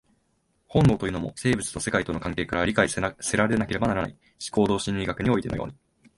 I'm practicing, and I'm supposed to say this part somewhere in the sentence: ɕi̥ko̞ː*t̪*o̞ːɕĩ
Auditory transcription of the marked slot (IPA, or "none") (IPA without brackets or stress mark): d̪